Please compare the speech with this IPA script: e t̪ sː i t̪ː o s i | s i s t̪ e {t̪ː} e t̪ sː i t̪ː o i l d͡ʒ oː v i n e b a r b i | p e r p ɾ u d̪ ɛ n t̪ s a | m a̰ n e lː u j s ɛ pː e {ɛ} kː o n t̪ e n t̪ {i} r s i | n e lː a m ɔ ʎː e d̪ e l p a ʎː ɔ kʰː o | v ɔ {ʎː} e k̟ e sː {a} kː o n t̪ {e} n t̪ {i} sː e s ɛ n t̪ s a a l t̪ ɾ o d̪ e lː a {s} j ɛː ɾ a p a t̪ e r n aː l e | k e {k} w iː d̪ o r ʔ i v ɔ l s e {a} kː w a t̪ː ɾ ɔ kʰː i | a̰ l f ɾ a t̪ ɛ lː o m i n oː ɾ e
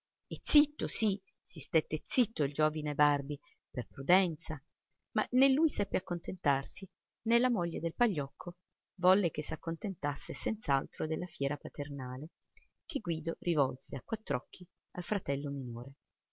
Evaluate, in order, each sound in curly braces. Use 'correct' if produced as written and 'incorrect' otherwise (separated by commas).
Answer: correct, incorrect, incorrect, incorrect, correct, correct, incorrect, incorrect, incorrect, correct